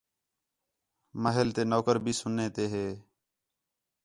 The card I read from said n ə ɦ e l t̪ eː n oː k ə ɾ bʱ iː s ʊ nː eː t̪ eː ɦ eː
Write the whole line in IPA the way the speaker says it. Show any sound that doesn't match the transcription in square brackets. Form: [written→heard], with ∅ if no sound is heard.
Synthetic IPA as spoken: [n→m] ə ɦ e l t̪ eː n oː k ə ɾ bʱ iː s ʊ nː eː t̪ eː ɦ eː